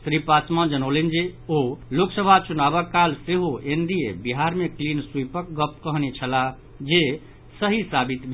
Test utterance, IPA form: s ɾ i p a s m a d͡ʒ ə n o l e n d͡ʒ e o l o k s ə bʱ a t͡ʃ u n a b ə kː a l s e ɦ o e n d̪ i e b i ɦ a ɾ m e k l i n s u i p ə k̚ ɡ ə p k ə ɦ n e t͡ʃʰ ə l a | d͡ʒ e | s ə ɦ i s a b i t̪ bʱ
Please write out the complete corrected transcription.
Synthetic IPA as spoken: s ɾ i p a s m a d͡ʒ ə n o l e n d͡ʒ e o l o k s ə bʱ a t͡ʃ u n a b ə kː a l s e ɦ o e n d̪ i e b i ɦ a ɾ m e k l i n s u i p ə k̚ ɡ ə p k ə ɦ n e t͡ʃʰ ə l a | d͡ʒ e | s ə ɦ i s a b i t̪ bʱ